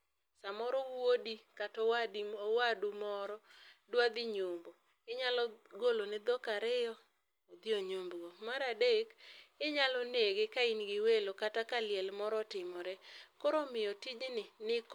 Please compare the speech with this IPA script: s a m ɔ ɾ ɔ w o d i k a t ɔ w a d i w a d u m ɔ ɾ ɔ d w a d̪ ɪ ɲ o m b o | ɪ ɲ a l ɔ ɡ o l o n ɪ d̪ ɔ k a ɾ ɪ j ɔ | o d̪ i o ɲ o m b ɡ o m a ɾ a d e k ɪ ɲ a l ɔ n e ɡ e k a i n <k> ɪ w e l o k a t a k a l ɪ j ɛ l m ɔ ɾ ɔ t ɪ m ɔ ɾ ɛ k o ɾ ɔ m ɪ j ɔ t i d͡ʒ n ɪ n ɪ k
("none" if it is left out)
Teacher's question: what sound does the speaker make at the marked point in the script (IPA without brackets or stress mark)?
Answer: ɡ